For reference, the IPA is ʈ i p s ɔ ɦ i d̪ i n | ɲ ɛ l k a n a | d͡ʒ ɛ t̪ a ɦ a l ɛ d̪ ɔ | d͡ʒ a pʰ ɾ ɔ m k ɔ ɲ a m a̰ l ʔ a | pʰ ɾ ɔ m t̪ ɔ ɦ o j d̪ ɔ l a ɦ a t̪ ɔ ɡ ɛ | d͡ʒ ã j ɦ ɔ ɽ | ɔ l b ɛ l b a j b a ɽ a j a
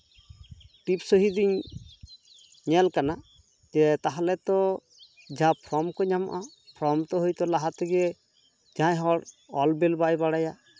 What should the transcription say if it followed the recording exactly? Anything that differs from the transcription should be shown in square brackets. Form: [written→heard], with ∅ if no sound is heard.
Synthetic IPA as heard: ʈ i p s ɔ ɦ i d̪ i [n→ɲ] | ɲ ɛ l k a n a | d͡ʒ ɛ t̪ a ɦ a l ɛ [d̪→t̪] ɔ | d͡ʒ a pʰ ɾ ɔ m k ɔ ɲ a m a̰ [l→∅] ʔ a | pʰ ɾ ɔ m t̪ ɔ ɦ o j [d̪→t̪] ɔ l a ɦ a t̪ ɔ ɡ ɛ | d͡ʒ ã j ɦ ɔ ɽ | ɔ l b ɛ l b a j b a ɽ a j a

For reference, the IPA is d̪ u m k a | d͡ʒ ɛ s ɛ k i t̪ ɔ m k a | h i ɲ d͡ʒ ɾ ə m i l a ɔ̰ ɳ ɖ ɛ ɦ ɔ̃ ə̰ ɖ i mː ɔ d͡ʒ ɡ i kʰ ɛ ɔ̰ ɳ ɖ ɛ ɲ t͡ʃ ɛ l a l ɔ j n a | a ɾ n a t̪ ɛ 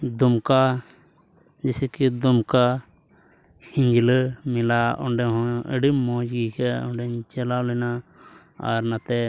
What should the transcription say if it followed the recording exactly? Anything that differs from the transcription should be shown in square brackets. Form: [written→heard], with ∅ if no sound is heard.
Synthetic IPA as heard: d̪ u m k a | d͡ʒ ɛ s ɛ k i [t̪→d̪] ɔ m k a | h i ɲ d͡ʒ [ɾ→l] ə m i l a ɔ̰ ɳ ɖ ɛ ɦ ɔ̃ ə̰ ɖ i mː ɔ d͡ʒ ɡ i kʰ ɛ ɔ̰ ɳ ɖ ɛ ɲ t͡ʃ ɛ l a l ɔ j n a | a ɾ n a t̪ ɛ

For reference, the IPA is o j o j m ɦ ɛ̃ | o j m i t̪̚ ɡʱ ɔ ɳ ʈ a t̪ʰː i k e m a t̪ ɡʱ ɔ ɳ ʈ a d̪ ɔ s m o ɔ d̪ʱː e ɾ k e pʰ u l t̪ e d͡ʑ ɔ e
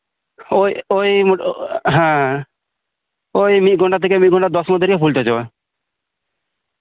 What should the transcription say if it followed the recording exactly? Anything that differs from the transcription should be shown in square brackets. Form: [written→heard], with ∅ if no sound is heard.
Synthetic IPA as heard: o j o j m ɦ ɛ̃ | o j m i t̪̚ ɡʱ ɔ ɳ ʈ a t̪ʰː [i→e] k e m [a→i] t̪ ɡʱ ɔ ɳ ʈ a d̪ ɔ s m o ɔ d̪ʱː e ɾ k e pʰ u l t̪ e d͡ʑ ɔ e

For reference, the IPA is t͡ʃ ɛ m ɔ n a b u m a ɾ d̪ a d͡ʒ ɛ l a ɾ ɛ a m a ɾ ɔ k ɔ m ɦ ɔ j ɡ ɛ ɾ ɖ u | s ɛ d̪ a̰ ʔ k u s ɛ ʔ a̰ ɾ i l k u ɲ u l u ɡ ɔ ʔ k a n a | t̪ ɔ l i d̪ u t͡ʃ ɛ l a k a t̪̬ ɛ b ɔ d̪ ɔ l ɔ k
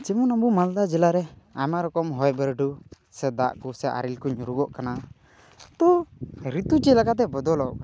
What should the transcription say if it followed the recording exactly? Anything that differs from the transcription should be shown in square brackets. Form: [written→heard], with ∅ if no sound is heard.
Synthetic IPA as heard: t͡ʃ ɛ m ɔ n a b u m a [ɾ→l] d̪ a d͡ʒ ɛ l a ɾ ɛ a m a ɾ ɔ k ɔ m ɦ ɔ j [ɡ→b] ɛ ɾ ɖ u | s ɛ d̪ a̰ ʔ k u s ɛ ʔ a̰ ɾ i l k u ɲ u [l→ɾ] u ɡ ɔ ʔ k a n a | t̪ ɔ [l→ɾ] i [d̪→t̪] u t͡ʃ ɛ l a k a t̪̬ ɛ b ɔ d̪ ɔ l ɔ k

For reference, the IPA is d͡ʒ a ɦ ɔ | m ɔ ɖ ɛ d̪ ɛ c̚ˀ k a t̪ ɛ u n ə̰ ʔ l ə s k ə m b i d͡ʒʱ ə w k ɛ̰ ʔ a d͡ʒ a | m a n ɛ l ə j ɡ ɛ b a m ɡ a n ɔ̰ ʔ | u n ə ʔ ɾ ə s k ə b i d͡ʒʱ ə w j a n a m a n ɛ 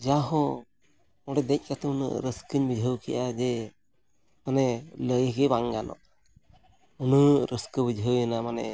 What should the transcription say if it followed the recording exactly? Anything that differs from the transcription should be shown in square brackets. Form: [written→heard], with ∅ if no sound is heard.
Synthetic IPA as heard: d͡ʒ a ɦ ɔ | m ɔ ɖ ɛ d̪ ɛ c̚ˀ k a t̪ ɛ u n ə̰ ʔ [l→ɾ] ə s k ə [m→ɲ] b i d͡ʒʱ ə w k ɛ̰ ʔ a d͡ʒ [a→ɛ] | m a n ɛ l ə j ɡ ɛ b a [m→ŋ] ɡ a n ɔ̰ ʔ | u n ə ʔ ɾ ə s k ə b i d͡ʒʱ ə w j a n a m a n ɛ

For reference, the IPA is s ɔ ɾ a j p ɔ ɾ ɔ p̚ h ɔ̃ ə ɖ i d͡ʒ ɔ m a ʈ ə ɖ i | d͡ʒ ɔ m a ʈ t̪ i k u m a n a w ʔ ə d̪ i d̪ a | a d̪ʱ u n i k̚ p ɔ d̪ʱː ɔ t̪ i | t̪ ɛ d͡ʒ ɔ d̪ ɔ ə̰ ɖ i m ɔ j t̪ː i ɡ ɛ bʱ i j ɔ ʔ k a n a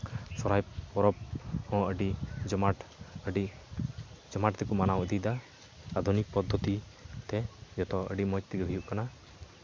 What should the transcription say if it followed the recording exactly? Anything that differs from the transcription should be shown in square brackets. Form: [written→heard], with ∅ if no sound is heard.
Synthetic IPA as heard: s ɔ ɾ a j p ɔ ɾ ɔ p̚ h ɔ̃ ə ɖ i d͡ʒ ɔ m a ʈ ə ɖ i | d͡ʒ ɔ m a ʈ t̪ [i→ɛ] k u m a n a w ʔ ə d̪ i d̪ a | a d̪ʱ u n i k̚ p ɔ d̪ʱː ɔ t̪ i | t̪ ɛ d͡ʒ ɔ [d̪→t̪] ɔ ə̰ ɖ i m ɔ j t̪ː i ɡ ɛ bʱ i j [ɔ→u] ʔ k a n a

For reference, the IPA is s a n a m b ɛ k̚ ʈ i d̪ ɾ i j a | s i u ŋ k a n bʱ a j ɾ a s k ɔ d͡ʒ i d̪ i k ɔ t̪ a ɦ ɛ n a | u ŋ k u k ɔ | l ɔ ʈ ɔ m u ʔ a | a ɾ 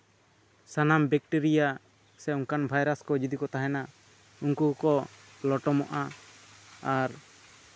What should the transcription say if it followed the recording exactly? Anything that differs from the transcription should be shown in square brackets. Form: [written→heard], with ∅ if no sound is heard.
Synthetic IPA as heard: s a n a m b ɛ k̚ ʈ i [d̪→∅] ɾ i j a | s [i→ɛ] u ŋ k a n bʱ a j ɾ a s k ɔ d͡ʒ i d̪ i k ɔ t̪ a ɦ ɛ n a | u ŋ k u k ɔ | l ɔ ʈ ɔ m [u→ɔ] ʔ a | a ɾ

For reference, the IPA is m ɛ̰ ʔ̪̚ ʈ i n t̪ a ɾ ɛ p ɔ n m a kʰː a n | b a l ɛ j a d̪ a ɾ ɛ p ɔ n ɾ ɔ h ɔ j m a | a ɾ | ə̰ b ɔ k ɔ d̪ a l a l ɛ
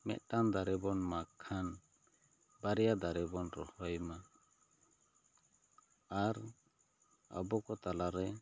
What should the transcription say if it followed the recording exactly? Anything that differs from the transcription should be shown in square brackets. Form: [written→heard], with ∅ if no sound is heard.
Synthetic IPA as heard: m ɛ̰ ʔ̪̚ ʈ [i→a] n [t̪→d̪] a ɾ ɛ [p→b] ɔ n m a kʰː a n | b a [l→ɾ] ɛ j a d̪ a ɾ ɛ [p→b] ɔ n ɾ ɔ h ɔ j m a | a ɾ | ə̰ b ɔ k ɔ [d̪→t̪] a l a [l→ɾ] ɛ

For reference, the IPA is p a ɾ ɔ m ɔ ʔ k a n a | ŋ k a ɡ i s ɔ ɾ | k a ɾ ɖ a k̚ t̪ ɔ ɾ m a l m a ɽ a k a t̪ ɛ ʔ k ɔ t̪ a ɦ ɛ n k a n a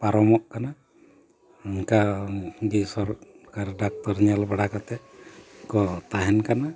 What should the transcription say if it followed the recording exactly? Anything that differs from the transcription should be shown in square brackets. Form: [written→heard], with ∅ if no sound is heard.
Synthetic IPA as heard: p a ɾ ɔ m ɔ ʔ k a n a | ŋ k a ɡ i s ɔ ɾ | k a ɾ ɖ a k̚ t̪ ɔ ɾ [m→ɲ] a l [m→b] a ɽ a k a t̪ ɛ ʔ k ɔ t̪ a ɦ ɛ n k a n a

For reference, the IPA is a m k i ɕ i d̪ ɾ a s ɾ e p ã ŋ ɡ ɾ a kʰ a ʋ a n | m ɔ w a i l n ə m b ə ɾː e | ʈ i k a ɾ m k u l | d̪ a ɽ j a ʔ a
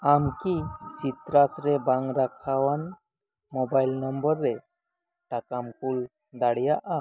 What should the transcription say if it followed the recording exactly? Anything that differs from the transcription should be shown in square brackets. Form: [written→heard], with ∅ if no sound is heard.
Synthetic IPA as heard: a m k i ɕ i [d̪→t̪] ɾ a s ɾ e [p→b] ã ŋ ɡ ɾ a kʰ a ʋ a n | m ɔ [w→b] a i l n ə m b ə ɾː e | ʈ [i→a] k a [ɾ→∅] m k u l | d̪ a ɽ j a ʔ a

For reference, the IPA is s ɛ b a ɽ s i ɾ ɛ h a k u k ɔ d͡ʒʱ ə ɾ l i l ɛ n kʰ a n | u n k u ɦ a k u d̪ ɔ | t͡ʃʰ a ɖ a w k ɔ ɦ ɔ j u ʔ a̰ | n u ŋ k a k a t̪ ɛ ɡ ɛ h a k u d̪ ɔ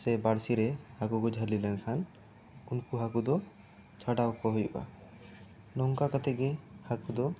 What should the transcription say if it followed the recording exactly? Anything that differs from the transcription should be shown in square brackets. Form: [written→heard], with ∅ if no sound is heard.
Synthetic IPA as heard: s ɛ b a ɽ s i ɾ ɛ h a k u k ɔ d͡ʒʱ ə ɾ l i l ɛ n kʰ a n | u n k u ɦ a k u d̪ ɔ | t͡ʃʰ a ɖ a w k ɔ ɦ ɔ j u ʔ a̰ | n [u→ɔ] ŋ k a k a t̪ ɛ ɡ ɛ h a k u d̪ ɔ

